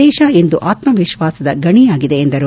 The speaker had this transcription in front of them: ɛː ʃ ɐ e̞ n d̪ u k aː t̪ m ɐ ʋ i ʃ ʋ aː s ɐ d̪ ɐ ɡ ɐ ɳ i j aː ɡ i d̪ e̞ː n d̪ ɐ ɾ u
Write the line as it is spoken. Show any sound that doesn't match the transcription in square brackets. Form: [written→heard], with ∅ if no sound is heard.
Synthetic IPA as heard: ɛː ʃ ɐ e̞ n d̪ u [k→ʔ] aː t̪ m ɐ ʋ i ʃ ʋ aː s ɐ d̪ ɐ ɡ ɐ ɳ i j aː ɡ i d̪ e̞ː n d̪ ɐ ɾ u